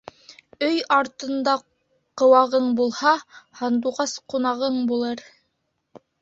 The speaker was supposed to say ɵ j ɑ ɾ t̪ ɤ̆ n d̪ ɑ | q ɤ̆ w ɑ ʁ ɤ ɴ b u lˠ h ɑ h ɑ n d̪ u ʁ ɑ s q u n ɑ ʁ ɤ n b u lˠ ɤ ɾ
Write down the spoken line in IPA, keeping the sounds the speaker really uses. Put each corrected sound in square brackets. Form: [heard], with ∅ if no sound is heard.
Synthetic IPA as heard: ɵ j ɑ ɾ t̪ ɤ̆ n d̪ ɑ | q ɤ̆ w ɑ ʁ ɤ ɴ b u lˠ h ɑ h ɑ n d̪ u ʁ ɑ s q u n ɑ ʁ ɤ [ɴ] b u lˠ ɤ ɾ